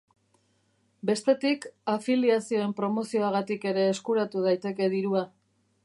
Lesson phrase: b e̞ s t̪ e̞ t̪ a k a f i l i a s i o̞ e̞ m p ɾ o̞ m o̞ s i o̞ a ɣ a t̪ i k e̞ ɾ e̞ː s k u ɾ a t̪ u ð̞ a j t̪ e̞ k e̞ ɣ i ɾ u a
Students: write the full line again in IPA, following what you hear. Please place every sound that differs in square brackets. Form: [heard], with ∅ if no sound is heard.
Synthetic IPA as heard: b e̞ s t̪ e̞ t̪ [i] k a f i l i a s i o̞ e̞ m p ɾ o̞ m o̞ s i o̞ a ɣ a t̪ i k e̞ ɾ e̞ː s k u ɾ a t̪ u ð̞ a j t̪ e̞ k e̞ [ð] i ɾ u a